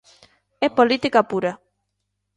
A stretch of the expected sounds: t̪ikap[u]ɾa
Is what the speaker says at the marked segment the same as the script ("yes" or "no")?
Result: yes